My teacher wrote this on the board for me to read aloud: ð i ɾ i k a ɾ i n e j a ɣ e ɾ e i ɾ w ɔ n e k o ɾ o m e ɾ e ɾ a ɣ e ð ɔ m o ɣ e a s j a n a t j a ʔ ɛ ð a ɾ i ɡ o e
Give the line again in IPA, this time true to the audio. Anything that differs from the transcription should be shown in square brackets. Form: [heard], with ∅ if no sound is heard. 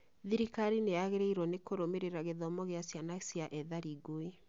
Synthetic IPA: ð i ɾ i k a ɾ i n e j a ɣ e ɾ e i ɾ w ɔ n e k o ɾ o m e ɾ e ɾ a ɣ e ð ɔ m [ɔ] ɣ e a s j a n a [s] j a ʔ ɛ ð a ɾ i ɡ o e